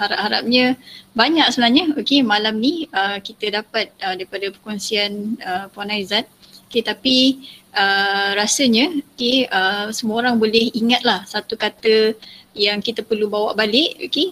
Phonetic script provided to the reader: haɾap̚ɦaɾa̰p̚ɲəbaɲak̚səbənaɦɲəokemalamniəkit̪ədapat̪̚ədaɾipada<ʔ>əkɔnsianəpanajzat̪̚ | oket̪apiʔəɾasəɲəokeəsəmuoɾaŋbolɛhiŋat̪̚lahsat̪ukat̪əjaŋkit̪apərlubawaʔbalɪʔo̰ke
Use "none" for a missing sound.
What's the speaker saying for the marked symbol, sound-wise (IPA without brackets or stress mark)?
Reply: p